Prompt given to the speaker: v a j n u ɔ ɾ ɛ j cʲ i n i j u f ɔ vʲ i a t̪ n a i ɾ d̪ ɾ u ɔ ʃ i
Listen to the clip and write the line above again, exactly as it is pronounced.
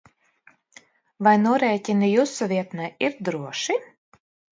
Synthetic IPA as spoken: v a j n u ɔ ɾ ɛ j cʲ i n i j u s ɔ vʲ i ɛ t̪ n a i ɾ d̪ ɾ u ɔ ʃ i